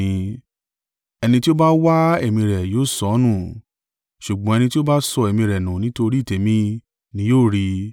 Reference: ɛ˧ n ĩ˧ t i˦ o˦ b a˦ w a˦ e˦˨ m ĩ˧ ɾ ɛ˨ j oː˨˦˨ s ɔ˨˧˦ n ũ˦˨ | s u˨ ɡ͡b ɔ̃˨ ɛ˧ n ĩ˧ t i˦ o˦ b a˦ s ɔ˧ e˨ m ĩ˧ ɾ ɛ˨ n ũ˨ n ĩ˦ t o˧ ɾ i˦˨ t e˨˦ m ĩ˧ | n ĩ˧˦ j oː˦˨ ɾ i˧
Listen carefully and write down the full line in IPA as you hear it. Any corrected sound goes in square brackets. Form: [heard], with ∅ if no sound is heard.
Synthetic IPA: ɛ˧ n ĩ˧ t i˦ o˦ b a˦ w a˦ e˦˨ m ĩ˧ ɾ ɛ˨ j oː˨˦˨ s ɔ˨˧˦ n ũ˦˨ | [ʃ] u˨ ɡ͡b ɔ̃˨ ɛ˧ n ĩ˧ t i˦ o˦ b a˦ s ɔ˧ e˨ m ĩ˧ ɾ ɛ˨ n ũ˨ n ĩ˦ t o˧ ɾ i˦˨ t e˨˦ m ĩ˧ | n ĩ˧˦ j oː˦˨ ɾ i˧